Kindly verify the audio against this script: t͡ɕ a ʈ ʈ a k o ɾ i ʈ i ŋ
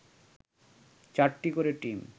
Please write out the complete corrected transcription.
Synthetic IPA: t͡ɕ a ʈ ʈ i k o ɾ e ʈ i m